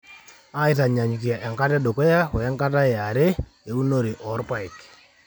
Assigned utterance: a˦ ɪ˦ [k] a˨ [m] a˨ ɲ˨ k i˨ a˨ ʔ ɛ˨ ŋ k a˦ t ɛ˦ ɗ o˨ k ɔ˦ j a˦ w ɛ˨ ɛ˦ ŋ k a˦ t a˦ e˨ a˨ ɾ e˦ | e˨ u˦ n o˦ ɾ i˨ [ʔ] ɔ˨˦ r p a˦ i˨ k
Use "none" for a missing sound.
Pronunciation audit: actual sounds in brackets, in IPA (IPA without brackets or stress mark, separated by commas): t, ɲ, ʔ